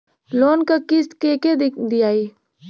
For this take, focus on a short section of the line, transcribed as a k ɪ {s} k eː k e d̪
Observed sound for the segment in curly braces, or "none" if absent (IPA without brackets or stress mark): s